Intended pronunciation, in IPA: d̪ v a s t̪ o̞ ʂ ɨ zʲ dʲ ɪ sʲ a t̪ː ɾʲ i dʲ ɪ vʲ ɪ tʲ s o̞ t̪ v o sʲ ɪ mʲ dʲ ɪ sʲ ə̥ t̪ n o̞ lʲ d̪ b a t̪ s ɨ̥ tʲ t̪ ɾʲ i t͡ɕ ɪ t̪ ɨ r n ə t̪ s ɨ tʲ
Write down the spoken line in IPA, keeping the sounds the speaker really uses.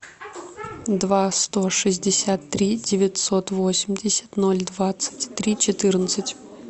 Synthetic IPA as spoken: d̪ v a s t̪ o̞ ʂ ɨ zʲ dʲ ɪ sʲ a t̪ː ɾʲ i dʲ ɪ vʲ ɪ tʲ s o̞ t̪ v o sʲ ɪ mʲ dʲ ɪ sʲ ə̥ t̪ n o̞ lʲ d̪ v a t̪ s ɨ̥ tʲ t̪ ɾʲ i t͡ɕ ɪ t̪ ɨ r n ə t̪ s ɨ tʲ

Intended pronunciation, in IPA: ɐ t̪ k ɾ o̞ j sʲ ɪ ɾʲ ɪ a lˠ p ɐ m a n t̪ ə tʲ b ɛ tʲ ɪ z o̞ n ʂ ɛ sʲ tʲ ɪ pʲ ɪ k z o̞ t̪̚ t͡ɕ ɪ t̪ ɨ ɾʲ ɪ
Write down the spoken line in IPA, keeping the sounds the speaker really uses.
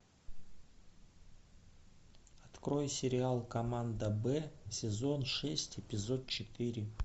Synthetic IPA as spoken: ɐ t̪ k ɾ o̞ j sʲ ɪ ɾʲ ɪ a lˠ k ɐ m a n d̪ ə b ɛ sʲ ɪ z o̞ n ʂ ɛ sʲ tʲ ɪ pʲ ɪ z o̞ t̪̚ t͡ɕ ɪ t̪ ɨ ɾʲ ɪ

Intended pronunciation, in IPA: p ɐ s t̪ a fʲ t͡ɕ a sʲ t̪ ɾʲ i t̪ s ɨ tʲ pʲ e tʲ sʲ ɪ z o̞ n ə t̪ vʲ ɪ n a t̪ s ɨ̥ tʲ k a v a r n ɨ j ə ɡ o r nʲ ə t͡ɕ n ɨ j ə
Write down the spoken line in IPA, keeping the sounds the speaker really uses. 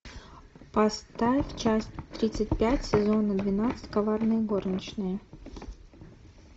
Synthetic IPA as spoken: p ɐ s t̪ a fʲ t͡ɕ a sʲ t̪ ɾʲ i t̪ s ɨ tʲ pʲ æ tʲ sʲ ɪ z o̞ n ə d̪ vʲ ɪ n a t̪ s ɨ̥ tʲ k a v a r n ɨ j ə ɡ o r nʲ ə t͡ɕ n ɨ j ə

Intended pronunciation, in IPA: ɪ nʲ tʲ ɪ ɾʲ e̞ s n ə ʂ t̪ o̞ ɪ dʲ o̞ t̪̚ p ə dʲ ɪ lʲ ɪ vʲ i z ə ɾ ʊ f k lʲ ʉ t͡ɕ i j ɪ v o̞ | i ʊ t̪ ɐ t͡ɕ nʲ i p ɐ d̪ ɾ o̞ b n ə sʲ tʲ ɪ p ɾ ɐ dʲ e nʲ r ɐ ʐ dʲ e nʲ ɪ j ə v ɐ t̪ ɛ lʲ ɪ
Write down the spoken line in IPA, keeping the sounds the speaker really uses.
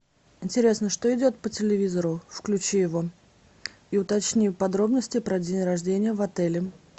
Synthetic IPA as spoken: ɪ nʲ tʲ ɪ ɾʲ e̞ s n ə ʂ t̪ o̞ ɪ dʲ o̞ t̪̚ p ə tʲ ɪ lʲ ɪ vʲ i z ə ɾ ʊ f k lʲ ʉ t͡ɕ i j ɪ v o̞ | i ʊ t̪ ɐ t͡ɕ nʲ i p ɐ d̪ ɾ o̞ b n ə sʲ tʲ ɪ p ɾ ɐ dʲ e nʲ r ɐ ʐ dʲ e nʲ ɪ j ə v ɐ t̪ ɛ lʲ ɪ

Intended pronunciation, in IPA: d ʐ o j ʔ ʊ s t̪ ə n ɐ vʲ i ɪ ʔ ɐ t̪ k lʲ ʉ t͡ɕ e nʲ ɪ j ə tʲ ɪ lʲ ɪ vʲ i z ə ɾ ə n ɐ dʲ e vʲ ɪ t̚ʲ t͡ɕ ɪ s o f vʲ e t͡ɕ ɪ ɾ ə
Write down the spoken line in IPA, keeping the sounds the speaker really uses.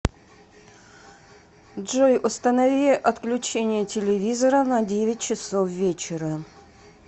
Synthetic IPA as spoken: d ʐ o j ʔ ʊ s t̪ ə n ɐ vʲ i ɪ ʔ ɐ t̪ k lʲ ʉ t͡ɕ e nʲ ɪ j ə tʲ ɪ lʲ ɪ vʲ i z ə ɾ ə n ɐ dʲ e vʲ ɪ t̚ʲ t͡ɕ ɪ s o f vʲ e t͡ɕ ɪ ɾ ə

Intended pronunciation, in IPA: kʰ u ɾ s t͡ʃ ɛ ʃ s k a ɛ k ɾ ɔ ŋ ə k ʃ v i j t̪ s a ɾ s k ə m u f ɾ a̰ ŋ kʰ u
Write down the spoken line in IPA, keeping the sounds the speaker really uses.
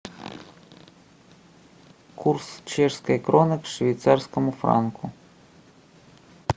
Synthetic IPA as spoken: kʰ u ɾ s t͡ʃ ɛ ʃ s k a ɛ k ɾ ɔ n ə k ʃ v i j t̪ s a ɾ s k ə m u f ɾ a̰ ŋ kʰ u

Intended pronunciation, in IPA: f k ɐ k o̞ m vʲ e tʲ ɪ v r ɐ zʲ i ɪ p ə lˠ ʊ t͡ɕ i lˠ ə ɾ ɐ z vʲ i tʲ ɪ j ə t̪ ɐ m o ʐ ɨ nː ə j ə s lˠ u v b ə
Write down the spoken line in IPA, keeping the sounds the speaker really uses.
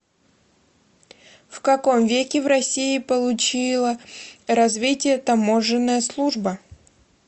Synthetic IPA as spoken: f k ɐ k o̞ m vʲ e kʲ ɪ v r ɐ sʲ i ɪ p ə lˠ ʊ t͡ɕ i lˠ ə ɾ ɐ z vʲ i tʲ ɪ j ə t̪ ɐ m o ʐ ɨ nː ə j ə s lˠ u ʐ b ə

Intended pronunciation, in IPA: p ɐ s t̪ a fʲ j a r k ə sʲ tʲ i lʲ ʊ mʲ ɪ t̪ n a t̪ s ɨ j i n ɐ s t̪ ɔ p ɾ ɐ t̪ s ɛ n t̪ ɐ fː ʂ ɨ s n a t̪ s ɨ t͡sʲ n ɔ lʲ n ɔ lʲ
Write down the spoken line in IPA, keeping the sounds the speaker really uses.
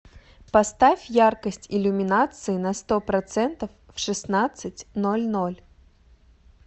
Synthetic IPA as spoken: p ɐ s t̪ a fʲ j a r k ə sʲ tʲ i lʲ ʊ mʲ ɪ n a t̪ s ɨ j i n ɐ s t̪ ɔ p ɾ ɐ t̪ s ɛ n t̪ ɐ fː ʂ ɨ s n a t̪ s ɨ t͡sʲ n ɔ lʲ n ɔ lʲ

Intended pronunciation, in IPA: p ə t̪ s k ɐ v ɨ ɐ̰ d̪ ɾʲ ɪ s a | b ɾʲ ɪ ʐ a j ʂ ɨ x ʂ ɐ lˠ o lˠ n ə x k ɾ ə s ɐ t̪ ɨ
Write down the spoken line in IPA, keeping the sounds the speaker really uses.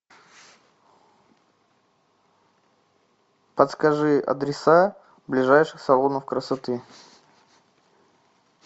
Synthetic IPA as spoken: p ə t̪ s k ɐ ʐ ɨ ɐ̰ d̪ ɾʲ ɪ s a | b lʲ ɪ ʐ a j ʂ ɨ x s ɐ lˠ o n ə f k ɾ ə s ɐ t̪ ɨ

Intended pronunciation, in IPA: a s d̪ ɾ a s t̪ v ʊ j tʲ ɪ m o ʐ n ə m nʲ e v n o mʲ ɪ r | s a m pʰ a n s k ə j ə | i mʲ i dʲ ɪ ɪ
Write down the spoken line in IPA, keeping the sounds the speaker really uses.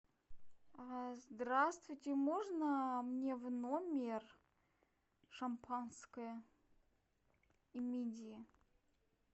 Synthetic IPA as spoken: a z d̪ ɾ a s t̪ v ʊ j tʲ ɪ m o ʐ n ə m nʲ e v n o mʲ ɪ r | ʂ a m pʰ a n s k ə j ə | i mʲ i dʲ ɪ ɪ

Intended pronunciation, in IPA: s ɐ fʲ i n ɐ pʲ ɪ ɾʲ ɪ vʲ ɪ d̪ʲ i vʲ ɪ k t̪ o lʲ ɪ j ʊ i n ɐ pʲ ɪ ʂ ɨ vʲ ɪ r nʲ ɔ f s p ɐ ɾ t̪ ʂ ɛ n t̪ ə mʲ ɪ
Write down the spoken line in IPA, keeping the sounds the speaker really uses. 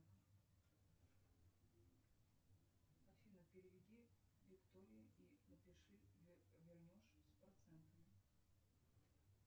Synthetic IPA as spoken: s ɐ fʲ i n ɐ pʲ ɪ ɾʲ ɪ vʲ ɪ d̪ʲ i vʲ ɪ k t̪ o ɾʲ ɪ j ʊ i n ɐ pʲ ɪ ʂ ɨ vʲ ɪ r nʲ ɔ ʂ s p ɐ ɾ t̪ s ɛ n t̪ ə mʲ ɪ

